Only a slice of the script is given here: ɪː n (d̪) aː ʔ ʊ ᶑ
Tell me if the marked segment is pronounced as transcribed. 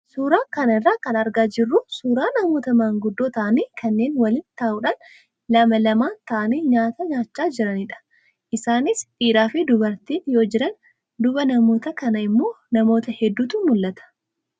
no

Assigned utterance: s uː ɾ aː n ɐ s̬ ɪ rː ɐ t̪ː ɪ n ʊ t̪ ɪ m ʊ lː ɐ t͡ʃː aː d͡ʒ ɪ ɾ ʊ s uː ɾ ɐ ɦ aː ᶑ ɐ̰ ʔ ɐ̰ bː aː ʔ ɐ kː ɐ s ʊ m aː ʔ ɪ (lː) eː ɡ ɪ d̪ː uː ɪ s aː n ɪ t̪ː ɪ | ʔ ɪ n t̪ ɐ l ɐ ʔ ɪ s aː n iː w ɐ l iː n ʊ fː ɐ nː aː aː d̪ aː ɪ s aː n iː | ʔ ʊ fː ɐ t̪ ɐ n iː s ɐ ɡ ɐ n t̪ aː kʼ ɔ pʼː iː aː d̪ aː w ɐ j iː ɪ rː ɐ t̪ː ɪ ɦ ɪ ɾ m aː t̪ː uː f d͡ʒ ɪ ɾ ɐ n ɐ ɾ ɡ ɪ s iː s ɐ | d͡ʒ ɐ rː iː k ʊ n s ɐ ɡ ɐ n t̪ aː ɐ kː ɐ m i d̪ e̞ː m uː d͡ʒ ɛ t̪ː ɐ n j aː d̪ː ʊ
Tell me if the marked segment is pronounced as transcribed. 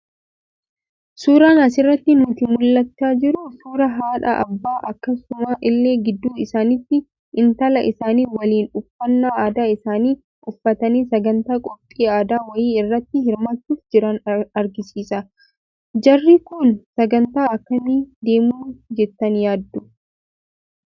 yes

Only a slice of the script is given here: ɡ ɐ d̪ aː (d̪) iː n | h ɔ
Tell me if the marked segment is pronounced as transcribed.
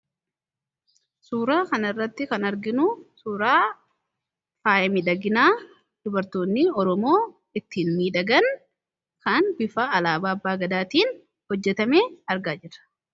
no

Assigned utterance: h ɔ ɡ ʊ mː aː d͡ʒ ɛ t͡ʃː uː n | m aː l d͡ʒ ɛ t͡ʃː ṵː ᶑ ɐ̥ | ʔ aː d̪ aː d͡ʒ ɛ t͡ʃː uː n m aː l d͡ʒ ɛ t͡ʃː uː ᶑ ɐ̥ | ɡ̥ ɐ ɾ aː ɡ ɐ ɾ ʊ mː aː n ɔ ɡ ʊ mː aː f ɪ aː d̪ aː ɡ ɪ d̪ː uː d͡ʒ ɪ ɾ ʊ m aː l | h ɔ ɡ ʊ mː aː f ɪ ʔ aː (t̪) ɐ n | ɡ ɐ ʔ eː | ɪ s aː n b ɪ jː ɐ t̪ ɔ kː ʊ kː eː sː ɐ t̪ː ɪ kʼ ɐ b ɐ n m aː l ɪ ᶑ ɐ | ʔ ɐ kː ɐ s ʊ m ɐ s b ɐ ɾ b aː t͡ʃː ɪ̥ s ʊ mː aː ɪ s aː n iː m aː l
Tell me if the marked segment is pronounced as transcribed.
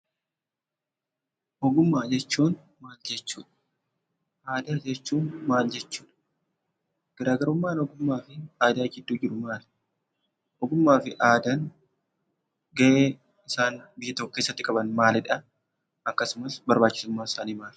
no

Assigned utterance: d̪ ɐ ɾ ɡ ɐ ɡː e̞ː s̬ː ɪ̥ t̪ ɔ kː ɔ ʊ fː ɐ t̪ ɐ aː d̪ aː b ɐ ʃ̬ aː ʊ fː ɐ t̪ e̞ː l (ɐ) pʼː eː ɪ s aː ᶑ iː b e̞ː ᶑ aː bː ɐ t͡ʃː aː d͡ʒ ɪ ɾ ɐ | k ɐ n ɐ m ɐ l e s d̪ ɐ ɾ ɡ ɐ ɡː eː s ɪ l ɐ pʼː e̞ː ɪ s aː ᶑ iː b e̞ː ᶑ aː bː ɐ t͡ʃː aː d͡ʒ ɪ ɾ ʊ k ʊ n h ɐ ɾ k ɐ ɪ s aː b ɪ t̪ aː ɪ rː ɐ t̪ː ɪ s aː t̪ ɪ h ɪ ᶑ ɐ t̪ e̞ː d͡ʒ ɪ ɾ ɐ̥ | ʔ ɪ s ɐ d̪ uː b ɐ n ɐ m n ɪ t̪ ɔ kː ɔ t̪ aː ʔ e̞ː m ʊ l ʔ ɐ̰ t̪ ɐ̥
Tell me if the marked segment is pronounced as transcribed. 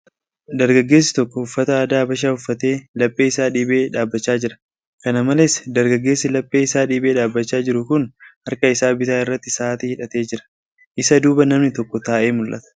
yes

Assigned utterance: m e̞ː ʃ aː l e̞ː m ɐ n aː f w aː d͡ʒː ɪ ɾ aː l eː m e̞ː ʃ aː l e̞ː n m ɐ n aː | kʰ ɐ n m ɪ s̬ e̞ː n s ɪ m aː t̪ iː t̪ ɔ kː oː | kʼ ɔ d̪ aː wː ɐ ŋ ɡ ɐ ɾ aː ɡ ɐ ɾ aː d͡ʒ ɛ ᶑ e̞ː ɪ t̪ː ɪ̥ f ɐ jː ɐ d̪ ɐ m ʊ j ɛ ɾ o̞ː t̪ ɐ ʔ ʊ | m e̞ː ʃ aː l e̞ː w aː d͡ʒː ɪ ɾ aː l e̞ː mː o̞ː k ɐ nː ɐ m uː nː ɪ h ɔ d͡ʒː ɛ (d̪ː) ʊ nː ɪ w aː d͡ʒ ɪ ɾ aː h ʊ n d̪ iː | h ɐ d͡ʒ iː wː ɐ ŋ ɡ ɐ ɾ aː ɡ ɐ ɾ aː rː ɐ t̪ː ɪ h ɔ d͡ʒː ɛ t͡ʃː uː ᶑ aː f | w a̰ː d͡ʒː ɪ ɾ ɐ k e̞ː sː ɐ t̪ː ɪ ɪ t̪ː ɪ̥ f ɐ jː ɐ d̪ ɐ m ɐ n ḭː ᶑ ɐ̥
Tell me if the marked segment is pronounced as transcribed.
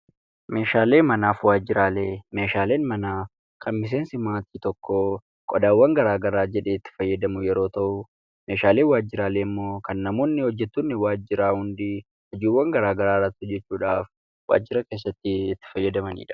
no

